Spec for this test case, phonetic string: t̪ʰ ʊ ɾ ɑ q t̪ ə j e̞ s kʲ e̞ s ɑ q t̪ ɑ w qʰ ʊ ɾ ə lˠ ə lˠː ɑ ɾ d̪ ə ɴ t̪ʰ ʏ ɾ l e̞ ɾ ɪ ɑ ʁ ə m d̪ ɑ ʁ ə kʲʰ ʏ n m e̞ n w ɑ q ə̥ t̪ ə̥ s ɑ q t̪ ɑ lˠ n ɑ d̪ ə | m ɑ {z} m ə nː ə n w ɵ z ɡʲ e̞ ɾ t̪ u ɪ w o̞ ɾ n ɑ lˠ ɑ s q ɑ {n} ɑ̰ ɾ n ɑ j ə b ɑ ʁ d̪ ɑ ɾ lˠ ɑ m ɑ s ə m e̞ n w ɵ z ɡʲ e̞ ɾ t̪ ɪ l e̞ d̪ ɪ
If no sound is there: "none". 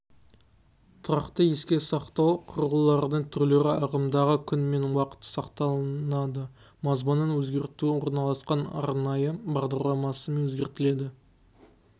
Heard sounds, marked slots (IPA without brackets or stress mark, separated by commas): z, n